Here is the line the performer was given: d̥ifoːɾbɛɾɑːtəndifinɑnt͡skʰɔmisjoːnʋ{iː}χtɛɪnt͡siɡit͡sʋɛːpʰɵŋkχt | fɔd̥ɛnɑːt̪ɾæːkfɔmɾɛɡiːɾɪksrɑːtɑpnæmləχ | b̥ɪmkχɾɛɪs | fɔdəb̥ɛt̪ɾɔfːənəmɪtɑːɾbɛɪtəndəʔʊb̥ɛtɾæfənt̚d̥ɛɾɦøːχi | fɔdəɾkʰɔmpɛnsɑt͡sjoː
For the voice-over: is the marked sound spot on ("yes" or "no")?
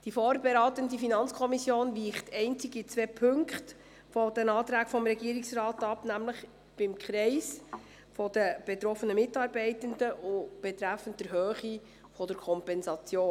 yes